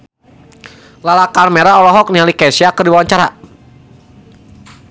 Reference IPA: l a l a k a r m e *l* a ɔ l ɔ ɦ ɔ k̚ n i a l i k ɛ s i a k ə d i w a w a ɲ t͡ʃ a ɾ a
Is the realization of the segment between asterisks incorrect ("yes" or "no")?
yes